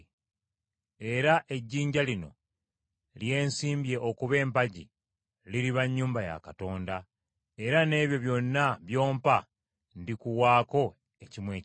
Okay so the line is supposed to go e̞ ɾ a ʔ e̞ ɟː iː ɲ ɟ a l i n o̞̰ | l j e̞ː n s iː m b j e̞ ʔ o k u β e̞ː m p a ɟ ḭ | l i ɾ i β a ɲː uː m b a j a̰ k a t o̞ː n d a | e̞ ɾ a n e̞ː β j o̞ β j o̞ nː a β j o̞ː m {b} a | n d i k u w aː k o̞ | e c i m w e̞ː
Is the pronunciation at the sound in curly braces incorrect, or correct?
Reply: incorrect